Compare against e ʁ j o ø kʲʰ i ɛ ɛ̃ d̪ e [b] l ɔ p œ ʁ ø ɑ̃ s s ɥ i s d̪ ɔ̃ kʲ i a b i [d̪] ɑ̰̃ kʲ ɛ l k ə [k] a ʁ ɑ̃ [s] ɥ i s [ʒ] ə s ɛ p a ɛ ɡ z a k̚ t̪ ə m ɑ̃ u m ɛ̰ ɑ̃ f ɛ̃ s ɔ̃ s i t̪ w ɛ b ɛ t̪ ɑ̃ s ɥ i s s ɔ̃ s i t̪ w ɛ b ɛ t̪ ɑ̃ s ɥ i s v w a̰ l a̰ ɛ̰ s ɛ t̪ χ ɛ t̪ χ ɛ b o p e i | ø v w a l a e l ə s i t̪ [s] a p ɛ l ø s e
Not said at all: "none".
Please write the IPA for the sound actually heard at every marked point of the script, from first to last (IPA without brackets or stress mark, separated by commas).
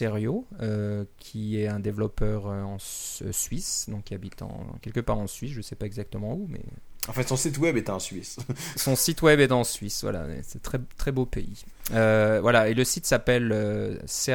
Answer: v, t̪, p, s, ʒ, s